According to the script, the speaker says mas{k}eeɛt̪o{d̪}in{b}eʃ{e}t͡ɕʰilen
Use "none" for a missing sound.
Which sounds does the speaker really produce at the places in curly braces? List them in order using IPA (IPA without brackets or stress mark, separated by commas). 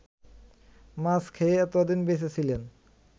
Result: kʰ, d̪, b, e